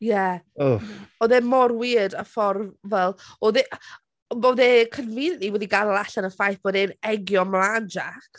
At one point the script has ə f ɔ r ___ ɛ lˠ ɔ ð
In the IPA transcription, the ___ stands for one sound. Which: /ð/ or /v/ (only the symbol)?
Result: v